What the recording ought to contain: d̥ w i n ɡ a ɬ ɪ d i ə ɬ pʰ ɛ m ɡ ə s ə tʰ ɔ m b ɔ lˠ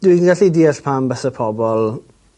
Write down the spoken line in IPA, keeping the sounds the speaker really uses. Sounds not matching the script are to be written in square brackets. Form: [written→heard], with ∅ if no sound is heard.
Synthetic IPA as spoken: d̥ w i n ɡ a ɬ [ɪ→i] d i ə ɬ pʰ [ɛ→a] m [ɡ→b] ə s ə [tʰ→pʰ] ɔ [m→∅] b ɔ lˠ